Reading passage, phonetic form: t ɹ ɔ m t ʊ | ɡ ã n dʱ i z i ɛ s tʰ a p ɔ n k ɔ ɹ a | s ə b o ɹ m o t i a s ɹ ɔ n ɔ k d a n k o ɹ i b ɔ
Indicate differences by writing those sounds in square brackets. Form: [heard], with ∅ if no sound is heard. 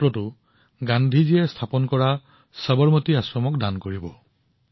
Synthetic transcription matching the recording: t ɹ ɔ [∅] t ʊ | ɡ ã n dʱ i z i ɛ s tʰ a p ɔ n k ɔ ɹ a | s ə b [ɔ] ɹ m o t i a s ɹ ɔ [m] ɔ k d a n k o ɹ i b ɔ